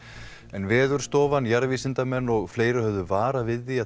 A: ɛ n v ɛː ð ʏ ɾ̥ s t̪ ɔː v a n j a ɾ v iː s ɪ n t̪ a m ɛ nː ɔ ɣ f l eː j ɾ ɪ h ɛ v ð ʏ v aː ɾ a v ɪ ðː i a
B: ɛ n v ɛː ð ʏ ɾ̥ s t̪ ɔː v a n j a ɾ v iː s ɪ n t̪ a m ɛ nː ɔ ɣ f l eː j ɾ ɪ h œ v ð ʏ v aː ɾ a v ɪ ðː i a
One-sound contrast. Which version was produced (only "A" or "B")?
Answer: B